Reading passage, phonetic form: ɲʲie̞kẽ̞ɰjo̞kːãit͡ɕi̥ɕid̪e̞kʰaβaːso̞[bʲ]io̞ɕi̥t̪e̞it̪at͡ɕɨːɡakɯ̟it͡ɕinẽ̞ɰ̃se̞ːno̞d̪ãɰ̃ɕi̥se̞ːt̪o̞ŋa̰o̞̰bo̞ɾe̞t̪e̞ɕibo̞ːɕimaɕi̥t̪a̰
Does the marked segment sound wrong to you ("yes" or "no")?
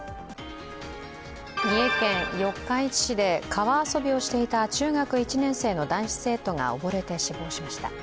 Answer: no